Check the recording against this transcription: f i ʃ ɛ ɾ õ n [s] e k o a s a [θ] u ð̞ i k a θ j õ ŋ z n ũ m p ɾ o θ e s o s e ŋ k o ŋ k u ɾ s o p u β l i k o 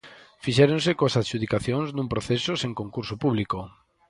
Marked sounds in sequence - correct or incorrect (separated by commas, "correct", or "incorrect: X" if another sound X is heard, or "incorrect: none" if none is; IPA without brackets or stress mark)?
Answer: correct, incorrect: ʃ